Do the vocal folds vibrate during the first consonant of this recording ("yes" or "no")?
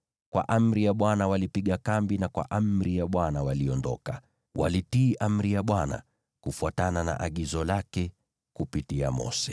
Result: no